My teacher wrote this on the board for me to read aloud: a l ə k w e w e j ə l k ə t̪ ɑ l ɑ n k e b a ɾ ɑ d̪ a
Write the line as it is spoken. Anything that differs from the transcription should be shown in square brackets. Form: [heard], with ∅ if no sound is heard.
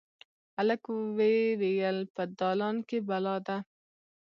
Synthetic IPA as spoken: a l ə k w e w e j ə l [p] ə [d̪] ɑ l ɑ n k e b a [l] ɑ d̪ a